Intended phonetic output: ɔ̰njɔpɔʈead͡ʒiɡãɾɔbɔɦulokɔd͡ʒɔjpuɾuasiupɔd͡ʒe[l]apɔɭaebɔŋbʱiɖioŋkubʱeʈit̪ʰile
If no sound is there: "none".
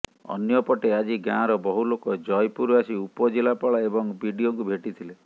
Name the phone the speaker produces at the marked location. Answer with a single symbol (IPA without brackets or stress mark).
l